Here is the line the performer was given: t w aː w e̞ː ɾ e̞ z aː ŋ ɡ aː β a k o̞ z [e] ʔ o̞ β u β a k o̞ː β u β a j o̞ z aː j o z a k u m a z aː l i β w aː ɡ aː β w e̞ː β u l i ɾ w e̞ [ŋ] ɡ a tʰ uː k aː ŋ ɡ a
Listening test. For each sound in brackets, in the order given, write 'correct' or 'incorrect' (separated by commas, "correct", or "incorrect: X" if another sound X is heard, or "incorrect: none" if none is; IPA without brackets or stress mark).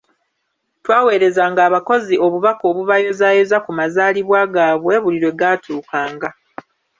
incorrect: i, incorrect: none